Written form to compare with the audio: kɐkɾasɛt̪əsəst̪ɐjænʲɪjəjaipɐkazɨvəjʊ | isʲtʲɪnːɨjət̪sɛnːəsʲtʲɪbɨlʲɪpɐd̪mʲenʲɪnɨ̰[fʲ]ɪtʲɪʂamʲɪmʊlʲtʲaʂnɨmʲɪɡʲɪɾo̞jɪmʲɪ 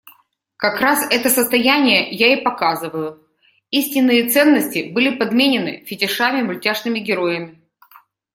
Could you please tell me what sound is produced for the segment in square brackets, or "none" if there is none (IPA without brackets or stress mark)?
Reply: fʲ